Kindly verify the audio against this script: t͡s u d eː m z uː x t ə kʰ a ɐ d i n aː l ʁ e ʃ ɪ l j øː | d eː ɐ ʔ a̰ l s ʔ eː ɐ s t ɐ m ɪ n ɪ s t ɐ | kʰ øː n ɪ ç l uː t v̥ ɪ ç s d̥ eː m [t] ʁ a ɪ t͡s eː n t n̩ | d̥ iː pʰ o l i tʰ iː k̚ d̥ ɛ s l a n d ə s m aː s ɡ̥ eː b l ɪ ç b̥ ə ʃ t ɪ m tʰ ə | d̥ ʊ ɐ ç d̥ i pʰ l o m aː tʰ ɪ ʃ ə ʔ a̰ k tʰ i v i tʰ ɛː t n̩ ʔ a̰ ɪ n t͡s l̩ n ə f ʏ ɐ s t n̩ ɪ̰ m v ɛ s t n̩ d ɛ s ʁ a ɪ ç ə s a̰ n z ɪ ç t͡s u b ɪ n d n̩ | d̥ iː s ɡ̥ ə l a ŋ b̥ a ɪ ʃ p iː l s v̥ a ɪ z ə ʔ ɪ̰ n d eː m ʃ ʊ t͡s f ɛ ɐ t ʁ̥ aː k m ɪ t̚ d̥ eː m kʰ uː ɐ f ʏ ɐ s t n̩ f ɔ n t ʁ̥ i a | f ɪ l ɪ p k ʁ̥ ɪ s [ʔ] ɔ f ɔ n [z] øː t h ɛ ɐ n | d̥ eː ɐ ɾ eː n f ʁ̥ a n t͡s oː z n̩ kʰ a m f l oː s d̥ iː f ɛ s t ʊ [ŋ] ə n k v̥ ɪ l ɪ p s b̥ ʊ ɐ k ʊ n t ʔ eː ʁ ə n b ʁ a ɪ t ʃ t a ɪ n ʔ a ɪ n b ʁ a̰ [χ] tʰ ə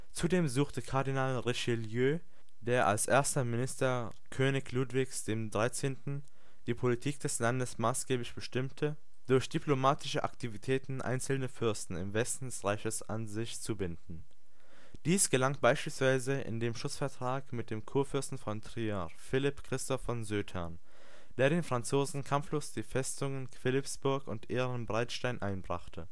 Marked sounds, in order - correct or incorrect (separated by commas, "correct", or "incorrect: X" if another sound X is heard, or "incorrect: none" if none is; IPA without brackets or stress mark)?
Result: incorrect: d, incorrect: t, correct, correct, correct